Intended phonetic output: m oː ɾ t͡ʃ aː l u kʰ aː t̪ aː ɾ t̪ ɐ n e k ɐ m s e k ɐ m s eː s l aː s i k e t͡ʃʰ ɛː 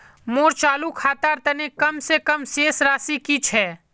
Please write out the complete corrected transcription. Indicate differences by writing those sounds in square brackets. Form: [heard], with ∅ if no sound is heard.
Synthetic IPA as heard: m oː ɾ t͡ʃ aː l u kʰ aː t̪ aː ɾ t̪ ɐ n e k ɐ m s e k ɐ m s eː s [ɾ] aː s i k [i] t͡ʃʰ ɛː

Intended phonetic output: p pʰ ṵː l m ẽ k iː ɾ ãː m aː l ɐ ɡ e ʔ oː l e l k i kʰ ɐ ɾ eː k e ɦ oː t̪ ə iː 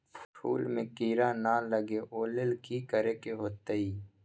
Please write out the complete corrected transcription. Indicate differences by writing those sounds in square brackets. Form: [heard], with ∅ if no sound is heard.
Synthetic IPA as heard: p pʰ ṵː l m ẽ k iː ɾ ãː [n] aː l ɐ ɡ e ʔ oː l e l k i [k] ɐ ɾ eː k e ɦ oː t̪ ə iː

